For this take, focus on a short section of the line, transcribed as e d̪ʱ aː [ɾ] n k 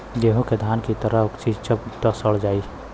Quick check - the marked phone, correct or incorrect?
incorrect: none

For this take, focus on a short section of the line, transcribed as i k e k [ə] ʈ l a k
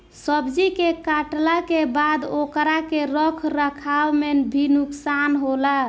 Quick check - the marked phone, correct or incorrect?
incorrect: a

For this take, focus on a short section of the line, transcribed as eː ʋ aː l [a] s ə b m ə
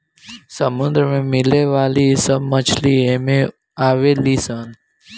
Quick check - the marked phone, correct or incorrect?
incorrect: i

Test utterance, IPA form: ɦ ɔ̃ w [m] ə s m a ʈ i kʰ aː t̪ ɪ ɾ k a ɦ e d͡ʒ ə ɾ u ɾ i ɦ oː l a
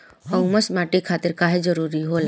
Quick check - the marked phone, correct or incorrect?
correct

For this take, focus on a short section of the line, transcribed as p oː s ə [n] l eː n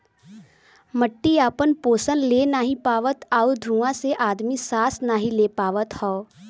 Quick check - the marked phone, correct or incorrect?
correct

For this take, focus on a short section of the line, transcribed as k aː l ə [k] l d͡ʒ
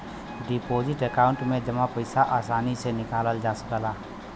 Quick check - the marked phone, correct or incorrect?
incorrect: none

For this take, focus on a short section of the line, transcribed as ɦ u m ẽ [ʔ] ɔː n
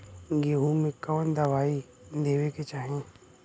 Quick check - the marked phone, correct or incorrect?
incorrect: k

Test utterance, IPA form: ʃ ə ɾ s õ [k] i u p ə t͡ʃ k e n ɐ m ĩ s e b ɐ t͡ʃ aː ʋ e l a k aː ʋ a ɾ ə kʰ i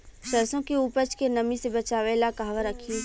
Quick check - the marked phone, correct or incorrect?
correct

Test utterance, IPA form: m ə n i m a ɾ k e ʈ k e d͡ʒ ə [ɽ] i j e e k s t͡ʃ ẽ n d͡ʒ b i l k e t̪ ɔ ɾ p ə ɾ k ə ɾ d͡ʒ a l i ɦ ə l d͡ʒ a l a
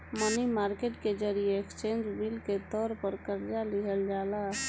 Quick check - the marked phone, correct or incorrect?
incorrect: ɾ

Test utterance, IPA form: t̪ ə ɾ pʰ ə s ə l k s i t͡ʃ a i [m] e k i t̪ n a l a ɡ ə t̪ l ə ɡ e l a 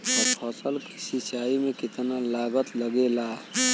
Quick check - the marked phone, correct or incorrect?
correct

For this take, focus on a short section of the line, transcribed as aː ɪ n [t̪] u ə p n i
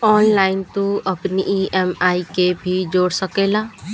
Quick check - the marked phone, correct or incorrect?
correct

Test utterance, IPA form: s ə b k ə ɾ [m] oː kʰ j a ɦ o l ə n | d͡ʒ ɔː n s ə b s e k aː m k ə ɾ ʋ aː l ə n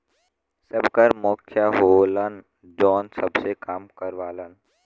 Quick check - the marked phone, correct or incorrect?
correct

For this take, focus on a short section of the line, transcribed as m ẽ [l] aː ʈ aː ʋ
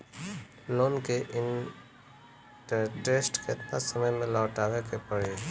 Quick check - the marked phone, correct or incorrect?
correct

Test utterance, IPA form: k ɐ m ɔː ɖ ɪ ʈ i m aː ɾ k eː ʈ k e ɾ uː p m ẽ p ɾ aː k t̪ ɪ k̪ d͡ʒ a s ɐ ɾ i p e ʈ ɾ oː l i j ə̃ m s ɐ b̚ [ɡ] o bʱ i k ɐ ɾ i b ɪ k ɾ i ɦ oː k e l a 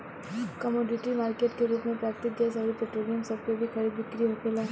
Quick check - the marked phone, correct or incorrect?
incorrect: k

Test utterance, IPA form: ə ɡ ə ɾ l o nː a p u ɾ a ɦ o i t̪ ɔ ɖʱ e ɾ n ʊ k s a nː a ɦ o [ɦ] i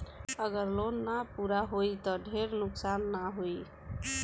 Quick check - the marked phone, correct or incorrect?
incorrect: none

